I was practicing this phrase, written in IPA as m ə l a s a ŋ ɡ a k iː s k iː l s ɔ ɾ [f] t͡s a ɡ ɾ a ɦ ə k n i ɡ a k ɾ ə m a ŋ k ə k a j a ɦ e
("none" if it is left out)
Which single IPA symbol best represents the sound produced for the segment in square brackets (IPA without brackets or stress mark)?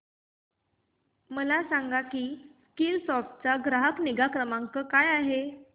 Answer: f